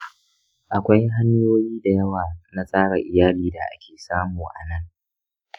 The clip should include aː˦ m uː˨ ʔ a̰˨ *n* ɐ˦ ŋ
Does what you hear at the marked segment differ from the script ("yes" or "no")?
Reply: no